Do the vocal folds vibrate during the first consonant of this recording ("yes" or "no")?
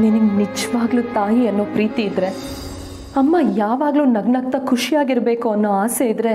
yes